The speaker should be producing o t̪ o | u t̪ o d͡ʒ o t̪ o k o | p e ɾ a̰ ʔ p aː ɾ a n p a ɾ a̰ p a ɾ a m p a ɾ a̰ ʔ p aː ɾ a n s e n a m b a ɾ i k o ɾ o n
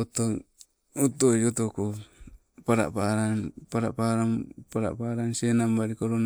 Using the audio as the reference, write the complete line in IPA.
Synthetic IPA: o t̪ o | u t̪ o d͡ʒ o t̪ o k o | p a ɾ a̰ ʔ p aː ɾ a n p a ɾ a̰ p a ɾ a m p a ɾ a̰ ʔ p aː ɾ a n s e n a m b a ɾ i k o ɾ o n

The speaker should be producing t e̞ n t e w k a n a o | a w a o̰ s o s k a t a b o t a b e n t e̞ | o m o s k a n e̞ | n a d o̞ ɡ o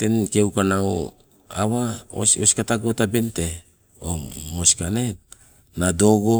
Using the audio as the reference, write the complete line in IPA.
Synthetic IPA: t e̞ n k e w k a n a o | a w a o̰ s o s k a t a ɡ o t a b e n t e̞ | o m o s k a n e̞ | n a d o̞ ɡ o

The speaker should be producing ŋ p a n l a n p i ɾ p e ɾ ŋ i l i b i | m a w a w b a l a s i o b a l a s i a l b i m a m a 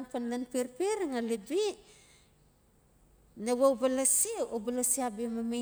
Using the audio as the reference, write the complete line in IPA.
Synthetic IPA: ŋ p a n l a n p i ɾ p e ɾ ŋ a l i b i | n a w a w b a l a s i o b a l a s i a b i m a m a

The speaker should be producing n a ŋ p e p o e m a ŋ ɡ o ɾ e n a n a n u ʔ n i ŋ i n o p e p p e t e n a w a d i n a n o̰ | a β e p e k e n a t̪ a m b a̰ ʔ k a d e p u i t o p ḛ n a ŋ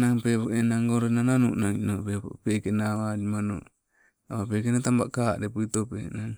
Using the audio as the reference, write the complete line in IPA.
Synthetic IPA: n a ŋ p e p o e n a ŋ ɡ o ɾ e n a n a n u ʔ n a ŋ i n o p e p p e k e n a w a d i m a n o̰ | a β a p e k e n a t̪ a m b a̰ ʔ k a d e p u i t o p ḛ n a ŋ

